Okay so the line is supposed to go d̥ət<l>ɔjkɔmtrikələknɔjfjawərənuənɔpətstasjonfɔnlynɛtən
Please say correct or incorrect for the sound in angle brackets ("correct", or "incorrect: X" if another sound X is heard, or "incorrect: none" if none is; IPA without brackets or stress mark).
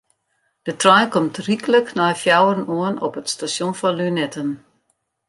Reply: incorrect: r